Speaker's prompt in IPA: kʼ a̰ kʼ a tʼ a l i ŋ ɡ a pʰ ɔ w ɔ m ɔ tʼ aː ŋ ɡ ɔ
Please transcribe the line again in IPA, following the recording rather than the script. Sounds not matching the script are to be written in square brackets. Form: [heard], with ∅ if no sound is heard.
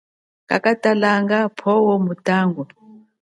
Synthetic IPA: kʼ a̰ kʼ a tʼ a l [a] ŋ ɡ a pʰ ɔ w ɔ m [u] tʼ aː ŋ ɡ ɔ